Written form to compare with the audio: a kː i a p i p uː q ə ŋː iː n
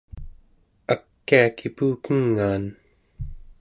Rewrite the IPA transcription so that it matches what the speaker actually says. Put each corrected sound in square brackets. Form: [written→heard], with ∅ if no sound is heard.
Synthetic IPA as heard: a kː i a [p→k] i p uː [q→k] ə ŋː [iː→aː] n